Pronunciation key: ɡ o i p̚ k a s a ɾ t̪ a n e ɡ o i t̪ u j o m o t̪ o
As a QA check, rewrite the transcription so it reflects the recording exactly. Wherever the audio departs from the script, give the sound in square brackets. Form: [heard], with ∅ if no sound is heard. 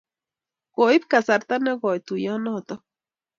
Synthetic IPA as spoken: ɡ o i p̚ k a s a ɾ t̪ a n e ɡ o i t̪ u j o [n] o t̪ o